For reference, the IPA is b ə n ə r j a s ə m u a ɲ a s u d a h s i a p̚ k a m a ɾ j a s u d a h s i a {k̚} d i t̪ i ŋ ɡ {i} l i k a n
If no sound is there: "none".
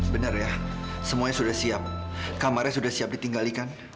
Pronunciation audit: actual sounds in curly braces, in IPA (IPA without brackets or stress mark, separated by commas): p̚, a